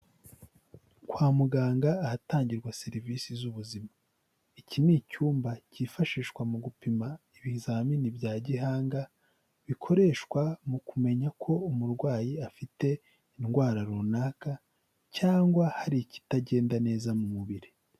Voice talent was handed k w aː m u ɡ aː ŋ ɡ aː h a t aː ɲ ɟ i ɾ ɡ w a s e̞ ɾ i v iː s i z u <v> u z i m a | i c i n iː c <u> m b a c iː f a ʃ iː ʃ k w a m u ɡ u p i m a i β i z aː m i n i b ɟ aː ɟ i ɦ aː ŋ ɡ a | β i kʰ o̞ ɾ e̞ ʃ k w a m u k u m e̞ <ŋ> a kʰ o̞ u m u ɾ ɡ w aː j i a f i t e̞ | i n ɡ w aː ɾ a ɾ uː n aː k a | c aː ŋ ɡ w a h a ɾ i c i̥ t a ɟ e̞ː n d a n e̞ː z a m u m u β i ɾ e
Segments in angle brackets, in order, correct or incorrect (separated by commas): incorrect, incorrect, incorrect